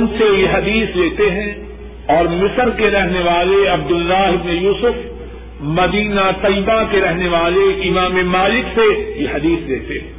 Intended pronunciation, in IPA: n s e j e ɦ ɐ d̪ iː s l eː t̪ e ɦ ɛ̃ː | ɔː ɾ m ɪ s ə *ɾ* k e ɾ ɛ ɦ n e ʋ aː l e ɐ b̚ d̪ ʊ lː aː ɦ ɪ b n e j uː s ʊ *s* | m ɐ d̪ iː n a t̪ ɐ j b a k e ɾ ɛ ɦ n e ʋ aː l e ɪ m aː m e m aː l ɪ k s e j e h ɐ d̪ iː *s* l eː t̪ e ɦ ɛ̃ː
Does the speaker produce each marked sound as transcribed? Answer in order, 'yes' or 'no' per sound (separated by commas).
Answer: yes, no, yes